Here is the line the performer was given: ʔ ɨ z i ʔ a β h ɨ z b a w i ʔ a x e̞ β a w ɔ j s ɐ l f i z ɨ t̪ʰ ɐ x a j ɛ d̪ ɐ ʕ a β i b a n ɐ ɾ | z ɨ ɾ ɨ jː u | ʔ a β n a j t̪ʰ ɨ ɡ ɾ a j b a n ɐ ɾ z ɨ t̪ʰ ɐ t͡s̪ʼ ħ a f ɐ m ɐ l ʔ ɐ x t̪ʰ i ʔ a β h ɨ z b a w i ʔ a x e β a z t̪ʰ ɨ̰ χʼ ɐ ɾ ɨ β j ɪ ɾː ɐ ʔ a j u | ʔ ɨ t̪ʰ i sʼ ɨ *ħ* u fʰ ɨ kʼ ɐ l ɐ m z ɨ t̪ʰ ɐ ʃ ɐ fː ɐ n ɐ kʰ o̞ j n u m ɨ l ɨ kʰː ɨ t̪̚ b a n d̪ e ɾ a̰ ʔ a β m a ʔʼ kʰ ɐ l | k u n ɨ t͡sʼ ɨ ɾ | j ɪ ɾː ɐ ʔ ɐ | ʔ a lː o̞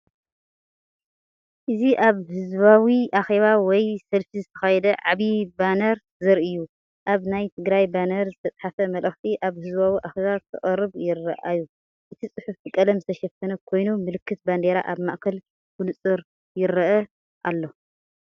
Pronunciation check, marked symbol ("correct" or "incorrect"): correct